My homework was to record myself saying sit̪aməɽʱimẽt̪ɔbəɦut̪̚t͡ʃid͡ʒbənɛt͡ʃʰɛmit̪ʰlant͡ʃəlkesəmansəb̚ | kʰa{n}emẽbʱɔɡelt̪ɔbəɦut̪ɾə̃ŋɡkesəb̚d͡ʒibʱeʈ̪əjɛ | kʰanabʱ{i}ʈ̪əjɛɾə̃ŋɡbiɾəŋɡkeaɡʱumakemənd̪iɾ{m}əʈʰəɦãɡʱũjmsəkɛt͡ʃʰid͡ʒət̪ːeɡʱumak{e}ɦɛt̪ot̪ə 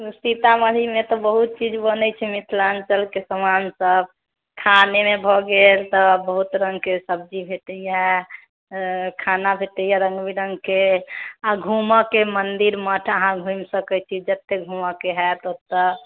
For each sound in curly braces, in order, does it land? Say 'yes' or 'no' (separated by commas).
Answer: yes, no, yes, yes